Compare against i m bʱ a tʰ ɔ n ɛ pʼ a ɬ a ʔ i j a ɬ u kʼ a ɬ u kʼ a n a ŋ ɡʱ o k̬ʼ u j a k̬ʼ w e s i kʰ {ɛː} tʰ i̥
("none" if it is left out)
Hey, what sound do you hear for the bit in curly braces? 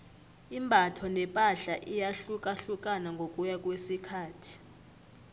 aː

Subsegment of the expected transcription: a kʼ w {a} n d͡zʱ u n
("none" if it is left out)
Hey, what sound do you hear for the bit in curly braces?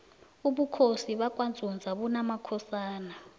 a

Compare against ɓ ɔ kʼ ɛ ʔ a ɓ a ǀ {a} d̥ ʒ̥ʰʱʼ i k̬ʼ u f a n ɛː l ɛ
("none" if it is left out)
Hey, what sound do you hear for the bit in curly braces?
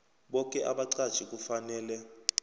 a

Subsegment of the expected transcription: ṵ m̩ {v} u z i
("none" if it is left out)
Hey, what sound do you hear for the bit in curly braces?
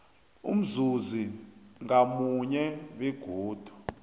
z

